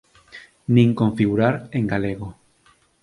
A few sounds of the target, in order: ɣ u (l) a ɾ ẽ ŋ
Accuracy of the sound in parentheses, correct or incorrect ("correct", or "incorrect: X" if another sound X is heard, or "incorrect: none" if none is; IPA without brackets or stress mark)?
incorrect: ɾ